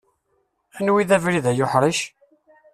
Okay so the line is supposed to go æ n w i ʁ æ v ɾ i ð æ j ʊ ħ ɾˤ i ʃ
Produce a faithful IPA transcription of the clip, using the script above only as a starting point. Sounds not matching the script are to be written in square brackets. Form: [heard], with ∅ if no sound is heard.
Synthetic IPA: æ n w i [ð] æ v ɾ i ð æ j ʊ ħ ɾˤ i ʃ